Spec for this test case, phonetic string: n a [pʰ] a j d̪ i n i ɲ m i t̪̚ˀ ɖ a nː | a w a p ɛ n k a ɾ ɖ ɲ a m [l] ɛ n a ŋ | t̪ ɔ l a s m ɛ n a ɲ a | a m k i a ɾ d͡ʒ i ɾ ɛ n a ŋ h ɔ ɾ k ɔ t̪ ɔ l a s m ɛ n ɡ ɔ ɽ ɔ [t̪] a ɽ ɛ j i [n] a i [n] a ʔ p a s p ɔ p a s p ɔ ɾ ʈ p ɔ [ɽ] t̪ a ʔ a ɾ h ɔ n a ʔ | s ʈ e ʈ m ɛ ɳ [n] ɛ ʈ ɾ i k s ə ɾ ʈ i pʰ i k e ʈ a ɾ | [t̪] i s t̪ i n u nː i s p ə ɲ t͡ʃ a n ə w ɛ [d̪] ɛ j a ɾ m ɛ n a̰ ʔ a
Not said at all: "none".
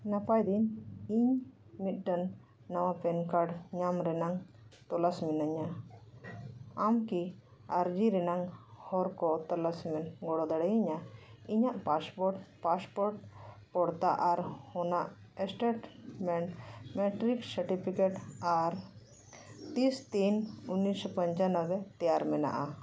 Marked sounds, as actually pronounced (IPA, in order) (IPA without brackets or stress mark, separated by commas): p, ɾ, d̪, ɲ, ɲ, ɽ, m, t̪, t̪